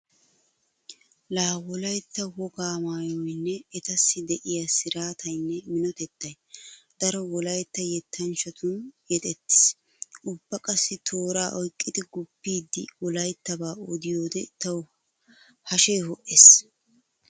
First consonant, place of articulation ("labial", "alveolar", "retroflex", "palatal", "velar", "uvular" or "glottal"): alveolar